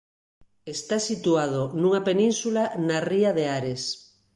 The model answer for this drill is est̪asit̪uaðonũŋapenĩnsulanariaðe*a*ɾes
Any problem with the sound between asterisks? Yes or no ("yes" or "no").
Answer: no